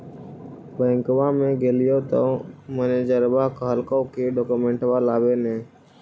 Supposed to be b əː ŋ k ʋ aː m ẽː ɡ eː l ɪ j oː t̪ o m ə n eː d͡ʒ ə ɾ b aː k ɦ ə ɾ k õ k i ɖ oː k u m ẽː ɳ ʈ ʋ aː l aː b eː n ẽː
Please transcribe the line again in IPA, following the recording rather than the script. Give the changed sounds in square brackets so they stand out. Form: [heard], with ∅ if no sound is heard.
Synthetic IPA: b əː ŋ k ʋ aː m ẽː ɡ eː l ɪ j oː t̪ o m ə n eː d͡ʒ ə ɾ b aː k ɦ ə [l] k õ k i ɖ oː k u m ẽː ɳ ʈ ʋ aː l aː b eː n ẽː